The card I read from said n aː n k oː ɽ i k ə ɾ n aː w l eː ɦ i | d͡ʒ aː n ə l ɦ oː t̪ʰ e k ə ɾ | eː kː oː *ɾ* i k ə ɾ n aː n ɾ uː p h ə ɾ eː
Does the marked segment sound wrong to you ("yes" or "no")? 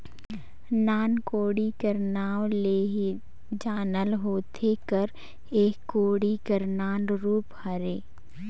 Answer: yes